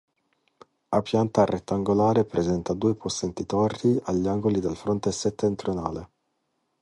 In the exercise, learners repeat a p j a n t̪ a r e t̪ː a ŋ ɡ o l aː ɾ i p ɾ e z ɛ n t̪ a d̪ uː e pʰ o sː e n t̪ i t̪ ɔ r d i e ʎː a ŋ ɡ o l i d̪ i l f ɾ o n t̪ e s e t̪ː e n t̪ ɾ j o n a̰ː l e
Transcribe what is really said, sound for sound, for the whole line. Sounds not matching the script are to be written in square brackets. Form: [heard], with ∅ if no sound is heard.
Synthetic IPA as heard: a p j a n t̪ a r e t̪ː a ŋ ɡ o l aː ɾ [e] p ɾ e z ɛ n t̪ a d̪ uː e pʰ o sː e n t̪ i t̪ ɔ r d i [a] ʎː a ŋ ɡ o l i d̪ [e] l f ɾ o n t̪ e s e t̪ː e n t̪ ɾ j o n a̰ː l e